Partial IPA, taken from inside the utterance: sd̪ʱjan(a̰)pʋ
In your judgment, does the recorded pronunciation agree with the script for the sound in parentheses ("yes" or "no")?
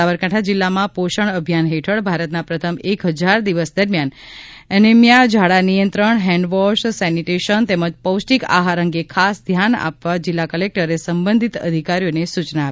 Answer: yes